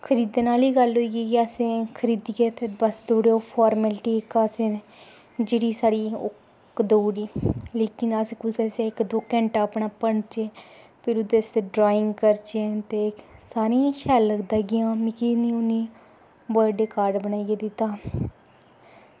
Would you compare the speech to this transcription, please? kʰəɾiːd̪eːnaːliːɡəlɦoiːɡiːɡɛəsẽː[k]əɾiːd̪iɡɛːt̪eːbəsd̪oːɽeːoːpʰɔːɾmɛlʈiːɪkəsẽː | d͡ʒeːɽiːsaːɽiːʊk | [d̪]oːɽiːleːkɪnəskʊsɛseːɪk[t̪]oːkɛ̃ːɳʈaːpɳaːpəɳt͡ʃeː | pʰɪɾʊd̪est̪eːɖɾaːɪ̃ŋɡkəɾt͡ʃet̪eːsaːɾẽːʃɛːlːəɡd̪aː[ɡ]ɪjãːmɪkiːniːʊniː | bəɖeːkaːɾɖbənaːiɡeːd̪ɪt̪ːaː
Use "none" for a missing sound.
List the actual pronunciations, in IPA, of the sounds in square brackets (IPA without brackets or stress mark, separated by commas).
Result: kʰ, d̪, d̪, ɡ